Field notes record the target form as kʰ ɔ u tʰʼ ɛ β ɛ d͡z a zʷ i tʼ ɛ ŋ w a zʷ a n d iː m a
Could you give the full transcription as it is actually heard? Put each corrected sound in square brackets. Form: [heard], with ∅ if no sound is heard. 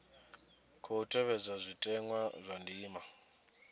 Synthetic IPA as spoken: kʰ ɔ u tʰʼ ɛ β ɛ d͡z a zʷ i tʼ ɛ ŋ w a zʷ a n d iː m a